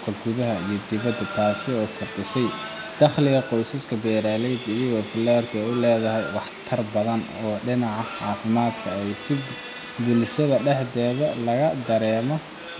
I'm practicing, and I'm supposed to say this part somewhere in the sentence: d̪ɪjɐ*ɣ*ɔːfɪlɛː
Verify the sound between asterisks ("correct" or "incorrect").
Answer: correct